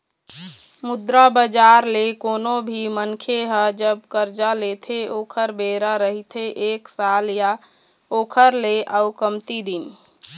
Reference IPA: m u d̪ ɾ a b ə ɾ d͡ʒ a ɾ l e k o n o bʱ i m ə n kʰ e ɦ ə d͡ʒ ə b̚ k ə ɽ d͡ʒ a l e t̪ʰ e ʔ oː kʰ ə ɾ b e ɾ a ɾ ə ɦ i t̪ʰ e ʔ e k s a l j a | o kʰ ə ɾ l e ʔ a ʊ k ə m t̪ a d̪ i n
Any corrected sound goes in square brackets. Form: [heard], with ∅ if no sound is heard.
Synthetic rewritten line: m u d̪ ɾ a b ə [∅] d͡ʒ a ɾ l e k o n o bʱ i m ə n kʰ e ɦ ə d͡ʒ ə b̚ k ə [ɾ] d͡ʒ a l e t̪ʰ e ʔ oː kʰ ə ɾ b e ɾ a ɾ ə ɦ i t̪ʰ e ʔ e k s a l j a | o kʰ ə ɾ l e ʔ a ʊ k ə m t̪ [i] d̪ i n

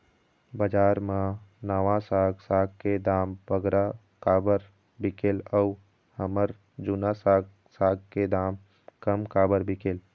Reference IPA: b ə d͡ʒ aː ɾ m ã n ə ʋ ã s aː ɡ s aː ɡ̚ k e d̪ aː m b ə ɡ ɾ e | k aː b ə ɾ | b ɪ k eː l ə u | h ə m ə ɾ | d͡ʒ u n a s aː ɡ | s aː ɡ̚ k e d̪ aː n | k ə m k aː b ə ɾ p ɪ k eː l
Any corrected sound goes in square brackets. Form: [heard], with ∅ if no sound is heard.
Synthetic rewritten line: b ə d͡ʒ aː ɾ m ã n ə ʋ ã s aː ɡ s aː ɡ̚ k e d̪ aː m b ə ɡ ɾ [a] | k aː b ə ɾ | b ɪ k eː l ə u | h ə m ə ɾ | d͡ʒ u n a s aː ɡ | s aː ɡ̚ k e d̪ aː [m] | k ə m k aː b ə ɾ [b] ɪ k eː l

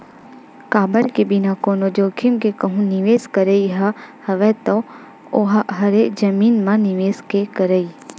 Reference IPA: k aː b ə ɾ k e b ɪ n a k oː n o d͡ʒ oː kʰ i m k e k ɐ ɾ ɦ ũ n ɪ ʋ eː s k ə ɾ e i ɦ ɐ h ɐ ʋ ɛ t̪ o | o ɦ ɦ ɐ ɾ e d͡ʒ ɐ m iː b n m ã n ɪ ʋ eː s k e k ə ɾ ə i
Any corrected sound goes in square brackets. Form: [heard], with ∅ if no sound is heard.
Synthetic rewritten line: k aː b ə ɾ k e b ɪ n a k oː n o d͡ʒ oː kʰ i m k e k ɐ [∅] ɦ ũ n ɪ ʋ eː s k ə ɾ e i ɦ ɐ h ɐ ʋ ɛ t̪ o | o ɦ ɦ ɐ ɾ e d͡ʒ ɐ m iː [∅] n m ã n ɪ ʋ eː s k e k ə ɾ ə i

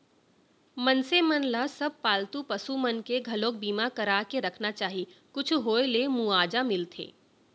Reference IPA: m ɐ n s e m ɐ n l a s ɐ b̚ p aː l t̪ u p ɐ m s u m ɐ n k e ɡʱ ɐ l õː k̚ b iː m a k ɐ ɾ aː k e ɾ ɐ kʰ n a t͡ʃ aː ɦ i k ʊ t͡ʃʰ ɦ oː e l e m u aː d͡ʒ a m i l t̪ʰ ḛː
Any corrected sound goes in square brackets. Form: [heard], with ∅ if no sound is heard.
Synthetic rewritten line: m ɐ n s e m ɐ n l a s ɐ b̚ p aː l t̪ u p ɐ [∅] s u m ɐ n k e ɡʱ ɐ l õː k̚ b iː m a k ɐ ɾ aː k e ɾ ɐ kʰ n a t͡ʃ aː ɦ i k ʊ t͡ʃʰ ɦ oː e l e m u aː d͡ʒ a m [ɪ] l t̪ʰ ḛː

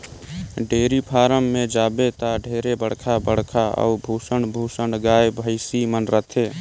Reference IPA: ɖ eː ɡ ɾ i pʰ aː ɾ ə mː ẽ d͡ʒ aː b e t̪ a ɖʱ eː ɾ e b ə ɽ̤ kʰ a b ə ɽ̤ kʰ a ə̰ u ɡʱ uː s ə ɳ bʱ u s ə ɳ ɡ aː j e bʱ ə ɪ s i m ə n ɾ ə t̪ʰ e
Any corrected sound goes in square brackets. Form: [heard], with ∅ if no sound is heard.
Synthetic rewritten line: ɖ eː [∅] ɾ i pʰ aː ɾ ə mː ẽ d͡ʒ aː b e t̪ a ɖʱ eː ɾ e b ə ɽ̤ kʰ a b ə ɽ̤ kʰ a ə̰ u [bʱ] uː s ə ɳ bʱ u s ə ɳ ɡ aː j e bʱ ə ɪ s i m ə n ɾ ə t̪ʰ e

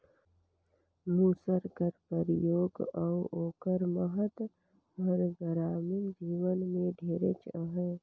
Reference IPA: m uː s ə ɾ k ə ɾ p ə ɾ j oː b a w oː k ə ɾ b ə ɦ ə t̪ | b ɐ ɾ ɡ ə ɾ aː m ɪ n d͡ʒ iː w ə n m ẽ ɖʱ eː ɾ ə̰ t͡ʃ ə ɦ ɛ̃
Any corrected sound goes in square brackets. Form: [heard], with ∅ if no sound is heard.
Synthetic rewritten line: m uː s ə ɾ k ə ɾ p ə ɾ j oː [ɡ] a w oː k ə ɾ [m] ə ɦ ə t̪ | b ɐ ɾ ɡ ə ɾ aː m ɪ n d͡ʒ iː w ə n m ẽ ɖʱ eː ɾ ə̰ t͡ʃ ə ɦ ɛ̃

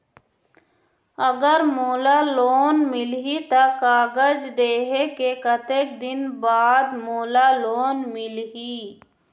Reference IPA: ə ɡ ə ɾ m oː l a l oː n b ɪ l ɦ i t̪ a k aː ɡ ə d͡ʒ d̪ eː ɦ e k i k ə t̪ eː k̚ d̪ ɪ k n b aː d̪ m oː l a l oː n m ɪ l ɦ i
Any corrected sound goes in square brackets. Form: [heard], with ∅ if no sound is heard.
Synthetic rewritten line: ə ɡ ə ɾ m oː l a l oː n [m] ɪ l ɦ i t̪ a k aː ɡ ə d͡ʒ d̪ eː ɦ e k [e] k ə t̪ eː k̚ d̪ ɪ [∅] n b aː d̪ m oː l a l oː n m ɪ l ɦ i

